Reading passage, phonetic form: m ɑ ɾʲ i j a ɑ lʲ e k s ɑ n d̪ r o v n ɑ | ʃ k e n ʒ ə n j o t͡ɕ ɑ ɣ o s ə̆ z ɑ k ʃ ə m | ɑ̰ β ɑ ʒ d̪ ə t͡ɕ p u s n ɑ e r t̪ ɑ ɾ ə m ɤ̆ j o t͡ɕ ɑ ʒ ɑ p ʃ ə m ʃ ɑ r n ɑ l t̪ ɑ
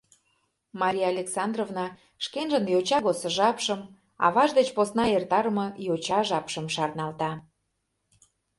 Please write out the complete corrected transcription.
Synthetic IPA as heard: m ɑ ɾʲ i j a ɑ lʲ e k s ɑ n d̪ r o v n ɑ | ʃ k e n ʒ ə n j o t͡ɕ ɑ ɣ o s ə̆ ʒ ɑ p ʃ ə m | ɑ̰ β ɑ ʒ d̪ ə t͡ɕ p o s n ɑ e r t̪ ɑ ɾ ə m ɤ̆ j o t͡ɕ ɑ ʒ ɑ p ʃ ə m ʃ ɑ r n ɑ l t̪ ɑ